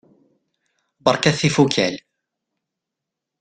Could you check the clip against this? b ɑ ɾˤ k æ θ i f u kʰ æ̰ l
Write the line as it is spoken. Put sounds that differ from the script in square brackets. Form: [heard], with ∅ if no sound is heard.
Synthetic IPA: b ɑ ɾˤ k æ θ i f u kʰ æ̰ l

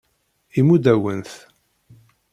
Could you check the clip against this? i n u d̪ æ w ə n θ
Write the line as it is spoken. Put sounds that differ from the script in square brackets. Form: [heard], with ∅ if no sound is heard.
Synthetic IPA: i [m] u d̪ æ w ə n θ

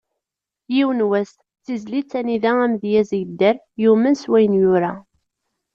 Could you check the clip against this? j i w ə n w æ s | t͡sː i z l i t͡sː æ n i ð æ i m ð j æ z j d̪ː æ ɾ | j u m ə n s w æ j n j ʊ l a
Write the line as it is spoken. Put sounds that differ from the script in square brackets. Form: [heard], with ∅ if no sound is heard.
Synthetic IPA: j i w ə n w æ s | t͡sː i z l i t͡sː æ n i ð æ [æ] m ð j æ z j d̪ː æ ɾ | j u m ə n s w æ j n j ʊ [ɾ] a

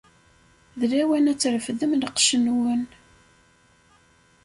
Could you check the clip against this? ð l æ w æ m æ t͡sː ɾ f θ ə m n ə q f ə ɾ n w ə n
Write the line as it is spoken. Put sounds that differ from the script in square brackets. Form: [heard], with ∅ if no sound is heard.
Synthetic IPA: ð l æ w æ [n] æ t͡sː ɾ f [ð] ə m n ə q [ʃ] ə [∅] n w ə n

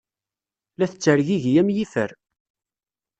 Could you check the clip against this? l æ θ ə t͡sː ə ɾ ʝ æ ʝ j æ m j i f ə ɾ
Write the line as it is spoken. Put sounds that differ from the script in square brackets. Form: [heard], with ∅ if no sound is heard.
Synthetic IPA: l æ θ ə t͡sː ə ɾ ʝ [i] ʝ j æ m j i f ə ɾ

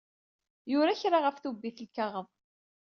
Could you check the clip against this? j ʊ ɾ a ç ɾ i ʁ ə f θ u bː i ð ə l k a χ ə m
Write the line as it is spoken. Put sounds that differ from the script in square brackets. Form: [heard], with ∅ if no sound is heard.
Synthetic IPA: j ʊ ɾ a ç ɾ [a] ʁ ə f θ u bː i [θ] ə l k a [ʁ] ə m

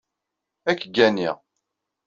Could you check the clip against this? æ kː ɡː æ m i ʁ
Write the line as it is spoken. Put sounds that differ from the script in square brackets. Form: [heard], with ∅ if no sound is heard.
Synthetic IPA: æ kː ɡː æ [n] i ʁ

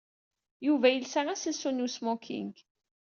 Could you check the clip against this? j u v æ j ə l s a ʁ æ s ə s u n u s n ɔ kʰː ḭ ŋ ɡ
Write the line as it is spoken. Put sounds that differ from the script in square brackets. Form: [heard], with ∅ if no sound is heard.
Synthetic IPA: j u v æ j ə l s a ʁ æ s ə s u n u s [m] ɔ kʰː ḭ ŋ ɡ

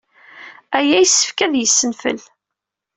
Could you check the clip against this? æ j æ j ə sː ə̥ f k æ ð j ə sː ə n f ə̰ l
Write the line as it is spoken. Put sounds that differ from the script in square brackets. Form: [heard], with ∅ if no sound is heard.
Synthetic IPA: æ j æ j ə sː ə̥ f k æ ð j ə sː ə n f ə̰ l

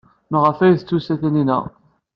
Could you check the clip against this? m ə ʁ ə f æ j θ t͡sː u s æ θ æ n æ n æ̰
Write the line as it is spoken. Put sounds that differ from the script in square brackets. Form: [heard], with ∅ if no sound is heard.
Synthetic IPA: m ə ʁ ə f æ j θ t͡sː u s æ θ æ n [i] n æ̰

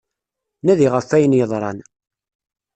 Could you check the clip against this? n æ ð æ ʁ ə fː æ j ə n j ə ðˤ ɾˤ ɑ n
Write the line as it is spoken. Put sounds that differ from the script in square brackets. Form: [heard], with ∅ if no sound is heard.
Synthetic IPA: n æ ð [i] ʁ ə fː æ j ə n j ə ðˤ ɾˤ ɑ n

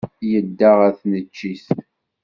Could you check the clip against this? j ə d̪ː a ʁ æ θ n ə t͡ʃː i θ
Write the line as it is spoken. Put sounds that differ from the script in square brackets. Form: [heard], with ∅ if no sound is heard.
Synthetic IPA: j ə d̪ː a ʁ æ θ n ə t͡ʃː i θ

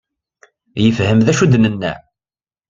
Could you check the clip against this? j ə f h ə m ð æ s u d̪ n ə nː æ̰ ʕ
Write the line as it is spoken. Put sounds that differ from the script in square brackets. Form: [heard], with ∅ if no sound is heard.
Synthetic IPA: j ə f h ə m ð æ [ʃ] u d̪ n ə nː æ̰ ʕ

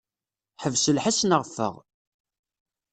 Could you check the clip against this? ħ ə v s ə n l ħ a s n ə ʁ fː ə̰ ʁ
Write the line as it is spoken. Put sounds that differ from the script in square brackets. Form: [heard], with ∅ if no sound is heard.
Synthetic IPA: ħ ə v s ə [∅] l ħ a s n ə ʁ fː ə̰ ʁ

